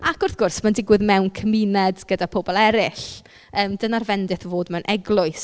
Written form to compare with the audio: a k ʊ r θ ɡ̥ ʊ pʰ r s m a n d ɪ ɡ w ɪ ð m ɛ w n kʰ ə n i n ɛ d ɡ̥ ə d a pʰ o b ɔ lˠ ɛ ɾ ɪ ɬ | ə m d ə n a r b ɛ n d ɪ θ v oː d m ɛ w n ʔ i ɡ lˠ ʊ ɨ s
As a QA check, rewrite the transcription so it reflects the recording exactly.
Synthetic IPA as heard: a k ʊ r θ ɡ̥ ʊ r s m a n d ɪ ɡ w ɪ ð m ɛ w n kʰ ə m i n ɛ d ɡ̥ ə d a pʰ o b ɔ lˠ ɛ ɾ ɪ ɬ | əː m d ə n a r v ɛ n d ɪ θ v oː d m ɛ w n ʔ ɛ ɡ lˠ ʊ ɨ s